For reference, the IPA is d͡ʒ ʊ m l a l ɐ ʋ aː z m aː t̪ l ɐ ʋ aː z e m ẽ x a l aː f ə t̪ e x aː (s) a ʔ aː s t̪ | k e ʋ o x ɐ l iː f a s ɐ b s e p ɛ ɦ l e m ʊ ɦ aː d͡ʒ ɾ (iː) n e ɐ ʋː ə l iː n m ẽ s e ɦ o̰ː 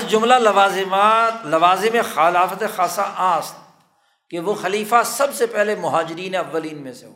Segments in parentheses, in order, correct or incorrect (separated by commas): correct, correct